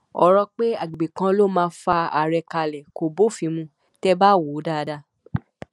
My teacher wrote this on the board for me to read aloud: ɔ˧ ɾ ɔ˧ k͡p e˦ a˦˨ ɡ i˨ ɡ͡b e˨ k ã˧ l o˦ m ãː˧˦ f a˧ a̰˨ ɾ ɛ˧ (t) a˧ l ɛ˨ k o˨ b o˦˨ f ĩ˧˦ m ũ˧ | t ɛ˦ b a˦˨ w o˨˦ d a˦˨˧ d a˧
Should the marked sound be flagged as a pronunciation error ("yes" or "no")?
yes